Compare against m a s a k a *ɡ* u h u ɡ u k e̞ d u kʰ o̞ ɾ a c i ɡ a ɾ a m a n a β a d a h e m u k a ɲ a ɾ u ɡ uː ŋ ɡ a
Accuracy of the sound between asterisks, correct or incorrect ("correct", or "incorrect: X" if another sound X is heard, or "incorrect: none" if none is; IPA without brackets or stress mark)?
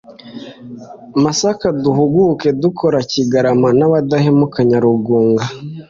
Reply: incorrect: d